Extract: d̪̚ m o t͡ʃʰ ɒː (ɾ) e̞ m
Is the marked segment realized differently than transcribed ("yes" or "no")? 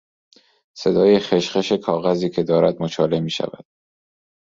yes